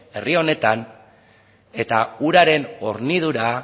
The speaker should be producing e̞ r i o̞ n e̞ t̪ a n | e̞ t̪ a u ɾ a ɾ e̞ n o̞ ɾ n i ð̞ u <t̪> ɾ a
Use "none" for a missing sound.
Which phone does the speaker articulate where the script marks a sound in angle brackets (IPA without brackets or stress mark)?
none